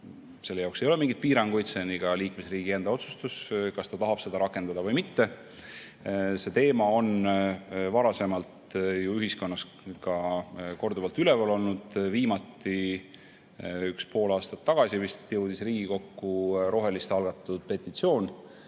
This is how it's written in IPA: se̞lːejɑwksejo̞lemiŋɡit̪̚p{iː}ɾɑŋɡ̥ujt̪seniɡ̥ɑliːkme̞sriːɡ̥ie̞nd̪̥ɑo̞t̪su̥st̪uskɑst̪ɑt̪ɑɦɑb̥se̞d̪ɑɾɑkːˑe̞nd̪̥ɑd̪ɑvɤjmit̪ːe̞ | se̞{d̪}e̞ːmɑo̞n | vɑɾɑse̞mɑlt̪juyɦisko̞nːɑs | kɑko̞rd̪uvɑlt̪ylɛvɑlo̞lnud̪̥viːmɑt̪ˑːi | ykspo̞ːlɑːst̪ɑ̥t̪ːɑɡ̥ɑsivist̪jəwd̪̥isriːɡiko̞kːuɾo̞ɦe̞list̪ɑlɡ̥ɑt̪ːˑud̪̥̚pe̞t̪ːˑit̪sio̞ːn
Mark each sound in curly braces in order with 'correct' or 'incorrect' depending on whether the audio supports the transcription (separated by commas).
correct, incorrect